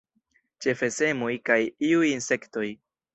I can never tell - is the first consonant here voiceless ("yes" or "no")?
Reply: yes